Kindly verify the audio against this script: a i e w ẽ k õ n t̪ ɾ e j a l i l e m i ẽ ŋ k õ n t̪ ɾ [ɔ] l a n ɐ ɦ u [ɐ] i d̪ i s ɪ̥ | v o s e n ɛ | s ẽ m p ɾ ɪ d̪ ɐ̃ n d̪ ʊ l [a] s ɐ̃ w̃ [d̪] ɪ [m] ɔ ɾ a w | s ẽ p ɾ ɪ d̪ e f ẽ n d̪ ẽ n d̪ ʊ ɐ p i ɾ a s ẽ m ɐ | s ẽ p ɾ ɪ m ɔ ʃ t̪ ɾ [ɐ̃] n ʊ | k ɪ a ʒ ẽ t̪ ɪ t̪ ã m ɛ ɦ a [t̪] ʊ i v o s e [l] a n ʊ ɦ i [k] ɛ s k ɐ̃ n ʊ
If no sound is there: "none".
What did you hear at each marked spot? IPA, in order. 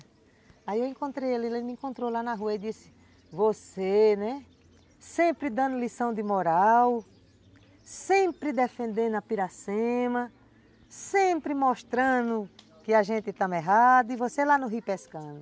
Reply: o, ɐ, i, d̪, m, ɐ̃, d̪, l, p

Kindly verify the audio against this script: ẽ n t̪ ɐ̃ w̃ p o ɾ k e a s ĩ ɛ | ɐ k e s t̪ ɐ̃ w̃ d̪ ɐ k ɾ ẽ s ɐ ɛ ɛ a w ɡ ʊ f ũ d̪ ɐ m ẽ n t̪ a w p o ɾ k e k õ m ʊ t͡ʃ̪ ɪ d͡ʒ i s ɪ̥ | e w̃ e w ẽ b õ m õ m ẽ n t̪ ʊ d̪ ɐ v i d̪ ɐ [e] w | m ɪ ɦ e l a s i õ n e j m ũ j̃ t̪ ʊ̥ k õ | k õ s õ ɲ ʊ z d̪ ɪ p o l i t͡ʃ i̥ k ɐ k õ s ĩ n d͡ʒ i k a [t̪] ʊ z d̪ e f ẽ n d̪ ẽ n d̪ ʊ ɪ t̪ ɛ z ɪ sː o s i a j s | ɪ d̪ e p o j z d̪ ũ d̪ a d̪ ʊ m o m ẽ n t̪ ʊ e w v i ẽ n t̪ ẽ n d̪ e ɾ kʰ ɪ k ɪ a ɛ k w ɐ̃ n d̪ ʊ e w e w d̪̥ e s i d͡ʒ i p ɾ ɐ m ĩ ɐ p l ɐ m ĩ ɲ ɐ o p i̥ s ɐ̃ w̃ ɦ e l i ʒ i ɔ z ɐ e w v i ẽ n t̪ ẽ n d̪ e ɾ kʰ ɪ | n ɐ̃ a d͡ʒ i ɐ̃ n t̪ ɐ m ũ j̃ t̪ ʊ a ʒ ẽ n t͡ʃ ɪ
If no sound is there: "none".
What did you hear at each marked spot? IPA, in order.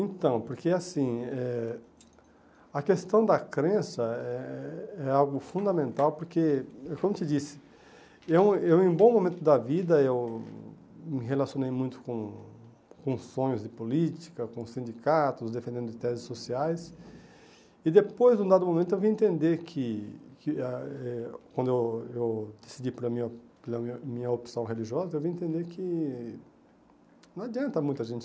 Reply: e, t̪

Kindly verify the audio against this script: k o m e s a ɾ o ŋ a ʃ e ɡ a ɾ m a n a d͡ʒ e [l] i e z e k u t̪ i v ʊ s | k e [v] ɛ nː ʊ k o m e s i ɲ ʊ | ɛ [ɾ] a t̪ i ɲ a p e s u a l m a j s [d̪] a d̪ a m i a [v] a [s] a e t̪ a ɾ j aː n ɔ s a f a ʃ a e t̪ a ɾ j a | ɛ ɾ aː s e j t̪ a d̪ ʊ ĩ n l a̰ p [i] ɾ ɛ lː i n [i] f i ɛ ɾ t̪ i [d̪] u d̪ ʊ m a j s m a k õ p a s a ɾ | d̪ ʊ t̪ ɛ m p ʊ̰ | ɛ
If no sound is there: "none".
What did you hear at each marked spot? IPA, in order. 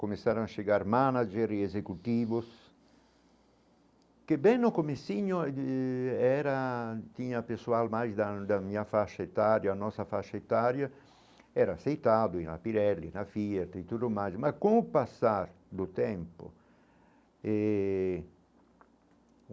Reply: ɾ, b, ɾ, d̪, f, ʃ, i, a, t̪

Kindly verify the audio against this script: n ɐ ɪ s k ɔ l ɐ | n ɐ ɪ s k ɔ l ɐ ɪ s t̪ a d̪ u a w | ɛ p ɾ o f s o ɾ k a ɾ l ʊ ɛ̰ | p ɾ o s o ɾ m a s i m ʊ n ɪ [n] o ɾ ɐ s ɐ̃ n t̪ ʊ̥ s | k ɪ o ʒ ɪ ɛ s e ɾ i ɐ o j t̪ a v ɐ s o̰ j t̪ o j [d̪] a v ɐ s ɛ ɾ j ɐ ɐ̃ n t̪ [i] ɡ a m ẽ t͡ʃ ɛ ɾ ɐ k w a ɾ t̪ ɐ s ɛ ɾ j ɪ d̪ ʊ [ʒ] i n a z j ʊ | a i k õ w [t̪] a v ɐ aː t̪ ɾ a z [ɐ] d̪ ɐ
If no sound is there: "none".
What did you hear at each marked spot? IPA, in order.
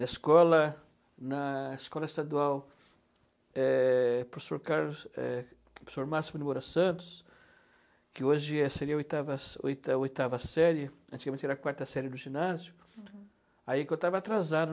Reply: m, t̪, i, ʒ, t̪, a

